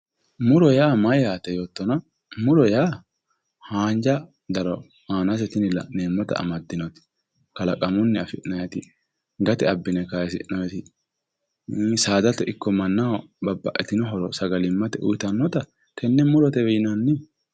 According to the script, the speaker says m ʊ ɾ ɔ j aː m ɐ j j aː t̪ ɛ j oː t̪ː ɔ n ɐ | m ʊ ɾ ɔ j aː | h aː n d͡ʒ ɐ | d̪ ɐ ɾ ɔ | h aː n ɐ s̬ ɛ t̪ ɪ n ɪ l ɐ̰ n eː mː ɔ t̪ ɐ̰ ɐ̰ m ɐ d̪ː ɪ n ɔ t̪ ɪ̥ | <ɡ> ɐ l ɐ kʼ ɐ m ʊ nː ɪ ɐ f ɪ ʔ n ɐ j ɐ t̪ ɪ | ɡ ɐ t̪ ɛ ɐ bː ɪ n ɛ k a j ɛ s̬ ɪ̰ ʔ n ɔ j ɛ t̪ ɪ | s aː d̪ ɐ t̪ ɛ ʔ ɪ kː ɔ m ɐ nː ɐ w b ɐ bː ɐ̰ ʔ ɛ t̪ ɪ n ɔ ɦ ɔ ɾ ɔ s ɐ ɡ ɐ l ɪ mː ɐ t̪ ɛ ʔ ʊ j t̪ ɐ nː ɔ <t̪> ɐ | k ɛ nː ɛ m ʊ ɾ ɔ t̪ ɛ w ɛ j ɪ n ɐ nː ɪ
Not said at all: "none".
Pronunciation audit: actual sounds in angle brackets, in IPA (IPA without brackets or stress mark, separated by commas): k, t̪